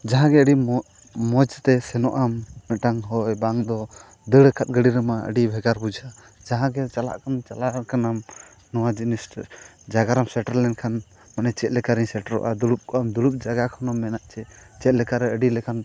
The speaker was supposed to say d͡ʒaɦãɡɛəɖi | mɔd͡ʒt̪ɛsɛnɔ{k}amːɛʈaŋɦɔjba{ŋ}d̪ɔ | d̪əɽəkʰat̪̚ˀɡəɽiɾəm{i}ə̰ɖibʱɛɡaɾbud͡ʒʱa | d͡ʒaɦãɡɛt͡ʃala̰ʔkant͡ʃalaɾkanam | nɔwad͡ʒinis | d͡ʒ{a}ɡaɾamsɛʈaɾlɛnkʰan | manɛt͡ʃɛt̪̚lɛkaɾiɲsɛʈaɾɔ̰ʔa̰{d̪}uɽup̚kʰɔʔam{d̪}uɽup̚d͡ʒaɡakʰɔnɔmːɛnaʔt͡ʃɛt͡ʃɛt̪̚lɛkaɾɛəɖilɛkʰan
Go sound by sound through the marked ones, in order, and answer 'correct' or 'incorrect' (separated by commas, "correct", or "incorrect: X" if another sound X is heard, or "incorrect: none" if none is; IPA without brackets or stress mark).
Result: incorrect: ʔ, correct, incorrect: a, correct, correct, correct